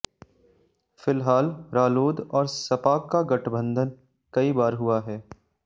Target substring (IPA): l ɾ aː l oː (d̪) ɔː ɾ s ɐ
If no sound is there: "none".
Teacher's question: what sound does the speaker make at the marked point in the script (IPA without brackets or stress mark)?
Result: d̪